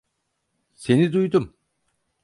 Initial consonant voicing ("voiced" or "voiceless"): voiceless